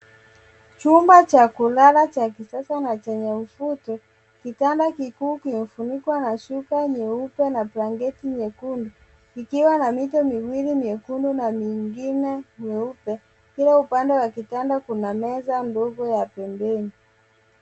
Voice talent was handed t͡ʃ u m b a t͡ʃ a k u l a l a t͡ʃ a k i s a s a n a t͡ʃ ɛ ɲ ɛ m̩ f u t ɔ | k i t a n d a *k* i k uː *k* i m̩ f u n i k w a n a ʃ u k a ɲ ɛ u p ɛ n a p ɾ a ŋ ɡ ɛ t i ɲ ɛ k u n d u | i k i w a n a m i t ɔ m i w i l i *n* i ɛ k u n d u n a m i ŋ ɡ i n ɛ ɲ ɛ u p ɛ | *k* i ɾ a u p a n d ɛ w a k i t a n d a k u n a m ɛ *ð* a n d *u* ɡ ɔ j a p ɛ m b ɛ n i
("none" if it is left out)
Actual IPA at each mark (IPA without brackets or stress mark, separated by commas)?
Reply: k, k, m, k, z, ɔ